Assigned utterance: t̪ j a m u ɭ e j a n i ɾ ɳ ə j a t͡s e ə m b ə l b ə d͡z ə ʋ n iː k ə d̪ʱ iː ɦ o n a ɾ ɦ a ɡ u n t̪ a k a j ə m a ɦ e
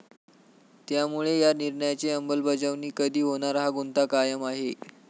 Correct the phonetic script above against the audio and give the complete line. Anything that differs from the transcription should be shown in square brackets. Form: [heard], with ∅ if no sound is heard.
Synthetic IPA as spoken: t̪ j a m u ɭ e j a n i ɾ ɳ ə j a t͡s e ə m b ə l b ə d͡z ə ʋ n iː k ə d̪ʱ iː ɦ o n a ɾ ɦ a ɡ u n t̪ a k a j ə m a ɦ e

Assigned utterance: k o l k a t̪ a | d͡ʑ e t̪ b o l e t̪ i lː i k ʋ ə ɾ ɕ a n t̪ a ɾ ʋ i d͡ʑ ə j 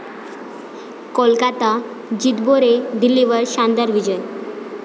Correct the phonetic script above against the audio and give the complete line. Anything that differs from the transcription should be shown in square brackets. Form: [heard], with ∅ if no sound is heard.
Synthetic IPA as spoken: k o l k a t̪ a | d͡ʑ [i] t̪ b o [ɾ] e [d̪] i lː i [∅] ʋ ə ɾ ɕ a n [d̪] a ɾ ʋ i d͡ʑ ə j

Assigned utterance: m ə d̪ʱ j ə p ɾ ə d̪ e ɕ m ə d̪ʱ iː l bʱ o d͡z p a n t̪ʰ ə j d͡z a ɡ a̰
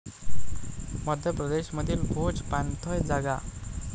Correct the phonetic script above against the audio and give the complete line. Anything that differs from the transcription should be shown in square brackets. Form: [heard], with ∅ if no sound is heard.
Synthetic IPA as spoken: m ə d̪ʱ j ə p ɾ ə d̪ e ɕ m ə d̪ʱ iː l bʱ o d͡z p a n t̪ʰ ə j d͡z a ɡ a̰

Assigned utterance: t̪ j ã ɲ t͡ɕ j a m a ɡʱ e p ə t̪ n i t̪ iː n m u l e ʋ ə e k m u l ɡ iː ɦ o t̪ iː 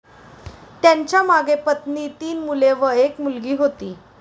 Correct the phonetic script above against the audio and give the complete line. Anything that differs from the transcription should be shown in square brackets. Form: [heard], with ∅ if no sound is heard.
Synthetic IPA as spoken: t̪ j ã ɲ t͡ɕ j a m a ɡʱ e p ə t̪ n i t̪ iː n m u l e ʋ ə e k m u l ɡ iː ɦ o t̪ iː

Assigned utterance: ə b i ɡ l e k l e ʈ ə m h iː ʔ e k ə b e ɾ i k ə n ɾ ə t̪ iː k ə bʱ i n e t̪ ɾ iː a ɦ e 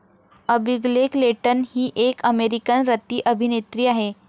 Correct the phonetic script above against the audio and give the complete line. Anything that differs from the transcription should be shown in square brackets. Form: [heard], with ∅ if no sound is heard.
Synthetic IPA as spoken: ə b i ɡ l e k l e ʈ ə [n] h iː ʔ e k ə [m] e ɾ i k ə n ɾ ə t̪ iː [ʔ] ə bʱ i n e t̪ ɾ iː a ɦ e

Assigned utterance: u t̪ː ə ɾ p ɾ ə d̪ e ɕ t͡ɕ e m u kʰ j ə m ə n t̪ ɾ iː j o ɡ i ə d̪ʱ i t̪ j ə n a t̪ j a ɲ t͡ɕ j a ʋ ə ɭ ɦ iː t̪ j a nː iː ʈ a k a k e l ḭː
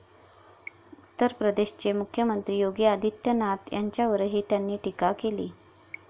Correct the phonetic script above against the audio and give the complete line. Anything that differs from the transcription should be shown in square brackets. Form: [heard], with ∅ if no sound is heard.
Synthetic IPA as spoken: u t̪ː ə ɾ p ɾ ə d̪ e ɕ t͡ɕ e m u kʰ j ə m ə n t̪ ɾ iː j o ɡ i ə d̪ʱ i t̪ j ə n a t̪ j a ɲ t͡ɕ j a ʋ ə [ɾ] ɦ iː t̪ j a nː iː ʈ [i] k a k e l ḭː

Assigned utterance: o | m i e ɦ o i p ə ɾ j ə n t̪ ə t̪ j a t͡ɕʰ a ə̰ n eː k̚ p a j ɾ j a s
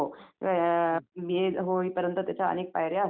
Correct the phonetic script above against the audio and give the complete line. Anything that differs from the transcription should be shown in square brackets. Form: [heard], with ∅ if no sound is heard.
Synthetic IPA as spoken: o | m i e ɦ o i p ə ɾ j ə n t̪ ə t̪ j a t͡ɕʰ a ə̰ n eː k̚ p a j ɾ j a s

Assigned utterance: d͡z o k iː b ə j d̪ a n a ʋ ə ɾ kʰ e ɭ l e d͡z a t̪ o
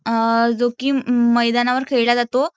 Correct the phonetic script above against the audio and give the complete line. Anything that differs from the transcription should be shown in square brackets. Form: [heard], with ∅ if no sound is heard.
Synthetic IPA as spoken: d͡z o k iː [m] ə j d̪ a n a ʋ ə ɾ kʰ e ɭ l [a] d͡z a t̪ o

